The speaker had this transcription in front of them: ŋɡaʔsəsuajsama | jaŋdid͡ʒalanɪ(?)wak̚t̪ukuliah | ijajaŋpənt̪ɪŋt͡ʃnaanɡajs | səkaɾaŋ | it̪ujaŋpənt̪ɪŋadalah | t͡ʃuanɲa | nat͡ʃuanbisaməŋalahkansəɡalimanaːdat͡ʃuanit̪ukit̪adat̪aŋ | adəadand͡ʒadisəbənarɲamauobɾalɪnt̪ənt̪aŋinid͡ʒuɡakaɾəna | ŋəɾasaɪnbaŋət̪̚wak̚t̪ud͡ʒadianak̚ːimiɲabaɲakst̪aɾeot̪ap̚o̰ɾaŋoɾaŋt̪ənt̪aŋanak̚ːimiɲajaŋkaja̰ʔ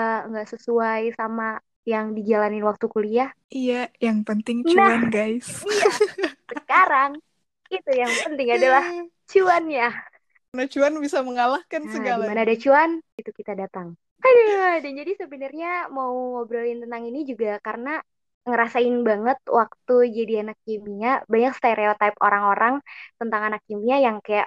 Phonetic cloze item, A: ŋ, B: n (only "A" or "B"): B